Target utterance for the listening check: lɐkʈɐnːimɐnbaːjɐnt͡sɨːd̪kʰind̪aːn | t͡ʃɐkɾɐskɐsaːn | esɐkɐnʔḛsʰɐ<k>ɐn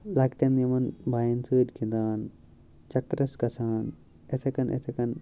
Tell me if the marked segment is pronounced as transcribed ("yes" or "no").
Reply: yes